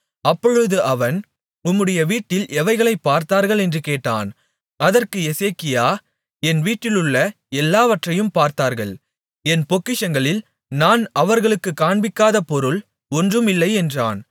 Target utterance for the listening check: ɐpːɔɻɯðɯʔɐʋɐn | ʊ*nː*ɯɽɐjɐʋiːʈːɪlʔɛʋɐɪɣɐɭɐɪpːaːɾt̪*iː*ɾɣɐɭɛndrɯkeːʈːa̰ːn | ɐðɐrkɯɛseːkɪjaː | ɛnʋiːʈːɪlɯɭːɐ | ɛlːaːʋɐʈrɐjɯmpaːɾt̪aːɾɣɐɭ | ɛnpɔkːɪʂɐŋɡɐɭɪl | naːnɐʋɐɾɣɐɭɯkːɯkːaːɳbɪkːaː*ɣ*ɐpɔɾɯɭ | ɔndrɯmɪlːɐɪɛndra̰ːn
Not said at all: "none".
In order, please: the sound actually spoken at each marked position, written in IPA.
mː, aː, ð

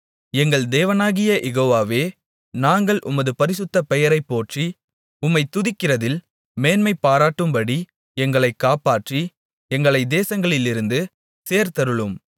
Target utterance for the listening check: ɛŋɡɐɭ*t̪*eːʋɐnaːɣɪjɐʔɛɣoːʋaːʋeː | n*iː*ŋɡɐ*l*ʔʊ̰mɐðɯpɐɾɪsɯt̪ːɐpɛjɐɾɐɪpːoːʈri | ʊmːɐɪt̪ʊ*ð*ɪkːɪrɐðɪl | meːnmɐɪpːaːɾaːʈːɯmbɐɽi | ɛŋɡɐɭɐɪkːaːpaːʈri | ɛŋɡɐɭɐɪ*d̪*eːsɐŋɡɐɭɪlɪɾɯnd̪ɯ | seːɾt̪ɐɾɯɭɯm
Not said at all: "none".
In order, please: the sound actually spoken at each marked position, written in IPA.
d̪, aː, ɭ, ð, d̪

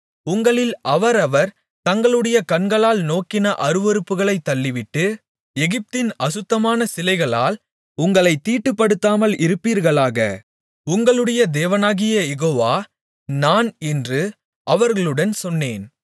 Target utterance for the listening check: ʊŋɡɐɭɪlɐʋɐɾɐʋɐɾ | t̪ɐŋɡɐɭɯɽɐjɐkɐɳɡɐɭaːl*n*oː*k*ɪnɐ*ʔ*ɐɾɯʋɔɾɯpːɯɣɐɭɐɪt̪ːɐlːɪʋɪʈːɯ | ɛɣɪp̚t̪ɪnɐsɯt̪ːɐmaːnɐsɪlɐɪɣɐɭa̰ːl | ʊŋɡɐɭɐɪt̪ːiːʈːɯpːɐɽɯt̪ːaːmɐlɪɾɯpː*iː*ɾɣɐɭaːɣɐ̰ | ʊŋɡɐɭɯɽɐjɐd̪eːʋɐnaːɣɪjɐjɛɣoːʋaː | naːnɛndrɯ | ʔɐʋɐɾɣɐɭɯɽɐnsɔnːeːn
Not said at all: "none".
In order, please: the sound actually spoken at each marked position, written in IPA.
n, k, ʔ, iː

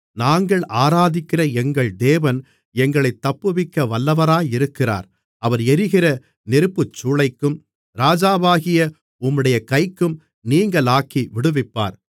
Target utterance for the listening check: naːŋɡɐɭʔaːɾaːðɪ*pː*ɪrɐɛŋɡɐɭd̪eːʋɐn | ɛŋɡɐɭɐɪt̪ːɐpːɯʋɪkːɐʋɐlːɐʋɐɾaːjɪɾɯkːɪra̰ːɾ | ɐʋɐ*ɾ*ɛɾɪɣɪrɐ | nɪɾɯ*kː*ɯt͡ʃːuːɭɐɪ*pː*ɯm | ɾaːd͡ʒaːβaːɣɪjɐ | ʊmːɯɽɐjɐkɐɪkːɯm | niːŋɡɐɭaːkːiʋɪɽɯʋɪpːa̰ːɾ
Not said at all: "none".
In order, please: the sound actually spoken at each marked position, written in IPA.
kː, ɾ, pː, kː

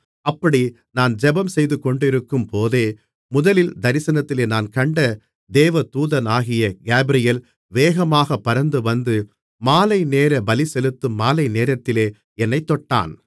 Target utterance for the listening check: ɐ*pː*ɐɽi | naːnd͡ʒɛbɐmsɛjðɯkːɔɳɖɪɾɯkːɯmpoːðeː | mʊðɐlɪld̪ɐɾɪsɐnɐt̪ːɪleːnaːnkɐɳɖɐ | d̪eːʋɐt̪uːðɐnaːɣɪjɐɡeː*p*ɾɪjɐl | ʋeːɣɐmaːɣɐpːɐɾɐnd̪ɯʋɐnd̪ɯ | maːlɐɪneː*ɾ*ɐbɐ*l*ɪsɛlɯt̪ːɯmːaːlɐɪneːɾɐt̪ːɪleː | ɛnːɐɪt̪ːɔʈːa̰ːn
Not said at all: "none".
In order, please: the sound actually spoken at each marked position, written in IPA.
pː, b, ɾ, l

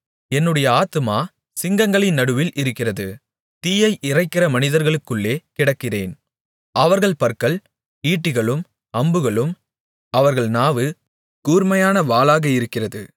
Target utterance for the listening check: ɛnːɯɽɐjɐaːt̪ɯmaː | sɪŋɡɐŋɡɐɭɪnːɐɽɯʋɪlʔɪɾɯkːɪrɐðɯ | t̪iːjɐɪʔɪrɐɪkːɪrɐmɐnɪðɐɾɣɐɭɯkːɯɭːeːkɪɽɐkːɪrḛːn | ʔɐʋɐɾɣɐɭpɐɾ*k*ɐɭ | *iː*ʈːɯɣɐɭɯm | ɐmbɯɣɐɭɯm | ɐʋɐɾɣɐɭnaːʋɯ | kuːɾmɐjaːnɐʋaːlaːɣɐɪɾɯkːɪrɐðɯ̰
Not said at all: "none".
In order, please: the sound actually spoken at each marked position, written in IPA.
k, iː

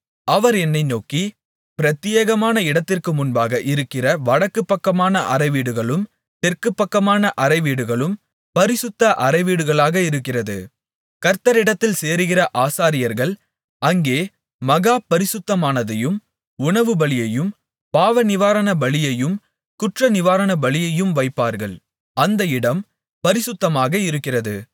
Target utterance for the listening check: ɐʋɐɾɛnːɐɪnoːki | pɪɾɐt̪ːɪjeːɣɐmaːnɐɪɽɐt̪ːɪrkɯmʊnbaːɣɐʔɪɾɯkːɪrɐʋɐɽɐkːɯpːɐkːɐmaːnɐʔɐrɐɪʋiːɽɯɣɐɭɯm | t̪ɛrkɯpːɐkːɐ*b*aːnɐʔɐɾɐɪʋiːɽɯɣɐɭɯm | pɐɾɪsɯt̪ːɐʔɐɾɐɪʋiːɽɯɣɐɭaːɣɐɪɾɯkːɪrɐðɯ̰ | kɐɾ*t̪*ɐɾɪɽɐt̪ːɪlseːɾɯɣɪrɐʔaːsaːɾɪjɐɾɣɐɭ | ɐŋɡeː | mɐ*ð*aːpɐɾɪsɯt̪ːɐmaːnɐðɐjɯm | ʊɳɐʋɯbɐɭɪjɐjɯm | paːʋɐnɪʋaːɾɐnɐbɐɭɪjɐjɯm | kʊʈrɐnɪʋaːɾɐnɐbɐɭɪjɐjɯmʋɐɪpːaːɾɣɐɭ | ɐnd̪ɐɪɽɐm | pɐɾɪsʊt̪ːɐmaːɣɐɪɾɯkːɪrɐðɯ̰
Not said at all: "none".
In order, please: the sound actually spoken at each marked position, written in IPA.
m, t̪, ɣ

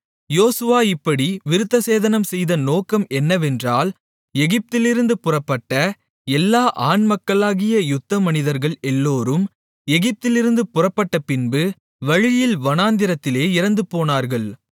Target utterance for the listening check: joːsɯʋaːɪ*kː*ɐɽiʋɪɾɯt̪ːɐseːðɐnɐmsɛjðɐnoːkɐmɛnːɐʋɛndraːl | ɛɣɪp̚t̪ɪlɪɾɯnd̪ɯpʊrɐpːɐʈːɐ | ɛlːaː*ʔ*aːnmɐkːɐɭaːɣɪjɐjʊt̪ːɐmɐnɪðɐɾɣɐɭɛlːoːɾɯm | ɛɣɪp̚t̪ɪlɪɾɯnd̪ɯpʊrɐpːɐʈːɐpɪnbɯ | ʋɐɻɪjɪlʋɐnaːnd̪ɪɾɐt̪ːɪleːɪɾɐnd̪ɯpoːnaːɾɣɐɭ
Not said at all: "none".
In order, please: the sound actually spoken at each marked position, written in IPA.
pː, ʔ

